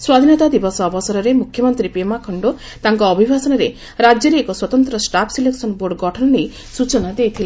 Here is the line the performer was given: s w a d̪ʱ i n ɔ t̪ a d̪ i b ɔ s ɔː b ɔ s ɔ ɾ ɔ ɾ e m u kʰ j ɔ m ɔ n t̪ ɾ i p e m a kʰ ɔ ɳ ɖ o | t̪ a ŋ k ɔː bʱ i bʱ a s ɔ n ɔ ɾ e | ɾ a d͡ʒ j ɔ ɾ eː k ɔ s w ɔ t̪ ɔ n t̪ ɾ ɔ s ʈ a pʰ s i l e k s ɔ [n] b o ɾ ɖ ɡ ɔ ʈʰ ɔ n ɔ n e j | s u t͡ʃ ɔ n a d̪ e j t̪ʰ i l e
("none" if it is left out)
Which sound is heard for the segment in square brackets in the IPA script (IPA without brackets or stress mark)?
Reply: n